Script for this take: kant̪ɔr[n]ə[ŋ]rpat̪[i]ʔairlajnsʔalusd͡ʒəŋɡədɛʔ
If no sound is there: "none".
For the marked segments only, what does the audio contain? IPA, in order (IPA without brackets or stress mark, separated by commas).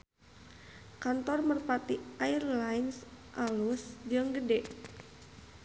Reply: m, none, i